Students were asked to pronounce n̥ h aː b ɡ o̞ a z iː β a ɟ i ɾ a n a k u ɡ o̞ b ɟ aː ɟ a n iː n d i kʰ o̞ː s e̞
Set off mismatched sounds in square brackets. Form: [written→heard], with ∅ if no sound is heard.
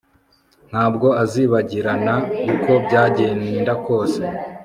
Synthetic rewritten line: n̥ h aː b ɡ o̞ a z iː β a ɟ i ɾ a n a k u [ɡ→k] o̞ b ɟ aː ɟ [a→e] n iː n d [i→a] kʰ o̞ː s e̞

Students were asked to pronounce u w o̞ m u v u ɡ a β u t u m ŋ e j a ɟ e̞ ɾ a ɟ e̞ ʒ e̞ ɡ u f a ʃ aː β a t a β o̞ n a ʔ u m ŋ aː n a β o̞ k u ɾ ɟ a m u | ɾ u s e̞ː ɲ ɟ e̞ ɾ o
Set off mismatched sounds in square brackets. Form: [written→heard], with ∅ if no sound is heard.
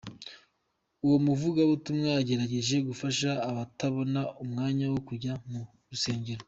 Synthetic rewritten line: u w o̞ m u v u ɡ a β u t u m ŋ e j a ɟ e̞ ɾ a ɟ e̞ ʒ e̞ ɡ u f a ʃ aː β a t a β o̞ n a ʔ u m ŋ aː [n→ɲ] a [β→w] o̞ k u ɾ ɟ a m u | ɾ u s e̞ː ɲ ɟ e̞ ɾ o

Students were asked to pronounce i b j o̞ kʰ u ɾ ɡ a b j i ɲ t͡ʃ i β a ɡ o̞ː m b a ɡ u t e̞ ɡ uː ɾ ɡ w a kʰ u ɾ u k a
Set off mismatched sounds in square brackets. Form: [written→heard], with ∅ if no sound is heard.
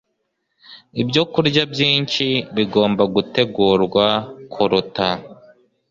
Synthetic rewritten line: i b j o̞ [kʰ→k] u ɾ [ɡ→ɟ] a b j [i→iː] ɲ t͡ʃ i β [a→i] ɡ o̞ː m b a ɡ u t e̞ ɡ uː ɾ ɡ w a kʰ u ɾ u [k→t] a

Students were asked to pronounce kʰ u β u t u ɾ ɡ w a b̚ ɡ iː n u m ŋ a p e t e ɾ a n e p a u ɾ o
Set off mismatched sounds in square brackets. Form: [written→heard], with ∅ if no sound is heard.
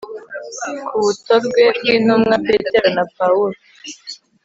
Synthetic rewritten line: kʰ u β u t [u→o] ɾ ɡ w [a→e] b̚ ɡ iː n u m ŋ a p e t e ɾ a n [e→a] p a u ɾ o

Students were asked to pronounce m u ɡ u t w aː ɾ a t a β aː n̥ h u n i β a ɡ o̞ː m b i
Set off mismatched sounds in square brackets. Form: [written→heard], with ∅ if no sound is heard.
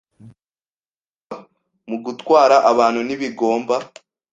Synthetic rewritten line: m u ɡ u t w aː ɾ a [t→ʔ] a β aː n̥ h u n i β [a→i] ɡ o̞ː m b [i→a]

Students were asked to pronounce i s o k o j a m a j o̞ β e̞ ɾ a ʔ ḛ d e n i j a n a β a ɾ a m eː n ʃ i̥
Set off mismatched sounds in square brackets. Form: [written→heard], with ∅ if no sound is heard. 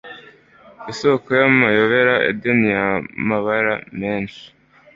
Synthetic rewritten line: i s o k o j a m a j o̞ β e̞ ɾ a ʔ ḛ d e n i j a [n→m] a β a ɾ a m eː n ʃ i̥

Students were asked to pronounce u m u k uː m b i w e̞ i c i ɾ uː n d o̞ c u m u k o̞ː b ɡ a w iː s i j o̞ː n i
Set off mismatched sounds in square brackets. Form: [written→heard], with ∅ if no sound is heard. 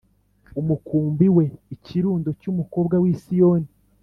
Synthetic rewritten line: u m u k uː m b i w e̞ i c i ɾ uː n d o̞ c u m u k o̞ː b ɡ a w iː s i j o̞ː n i

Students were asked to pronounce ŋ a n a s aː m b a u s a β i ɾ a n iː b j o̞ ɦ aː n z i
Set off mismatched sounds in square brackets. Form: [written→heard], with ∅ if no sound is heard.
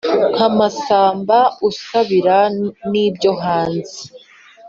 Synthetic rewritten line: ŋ a [n→m] a s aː m b a u s a β i ɾ a n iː b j o̞ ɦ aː n z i

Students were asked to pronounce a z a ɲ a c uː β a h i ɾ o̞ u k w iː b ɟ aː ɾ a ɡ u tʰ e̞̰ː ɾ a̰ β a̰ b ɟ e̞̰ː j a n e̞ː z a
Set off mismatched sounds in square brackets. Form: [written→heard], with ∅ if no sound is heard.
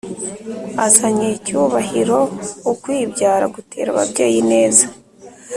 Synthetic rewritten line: a z a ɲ [a→e] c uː β a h i ɾ o̞ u k w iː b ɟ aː ɾ a ɡ u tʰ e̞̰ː ɾ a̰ β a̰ b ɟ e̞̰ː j [a→i] n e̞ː z a

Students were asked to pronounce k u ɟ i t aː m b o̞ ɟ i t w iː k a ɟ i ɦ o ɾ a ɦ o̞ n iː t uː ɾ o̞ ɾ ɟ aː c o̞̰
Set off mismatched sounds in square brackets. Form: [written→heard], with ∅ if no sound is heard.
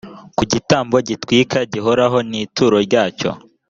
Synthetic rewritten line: k u ɟ i t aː m b o̞ ɟ i t w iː k a ɟ i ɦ o ɾ a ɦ o̞ n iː t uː ɾ o̞ ɾ ɟ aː c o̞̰

